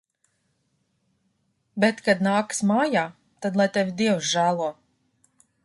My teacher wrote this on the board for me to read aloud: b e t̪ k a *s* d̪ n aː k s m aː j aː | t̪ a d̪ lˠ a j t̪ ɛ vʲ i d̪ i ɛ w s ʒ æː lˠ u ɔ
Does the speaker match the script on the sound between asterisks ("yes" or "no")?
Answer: no